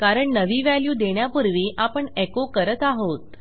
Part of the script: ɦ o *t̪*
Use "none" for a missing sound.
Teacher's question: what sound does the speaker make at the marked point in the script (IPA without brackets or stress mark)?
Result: t̪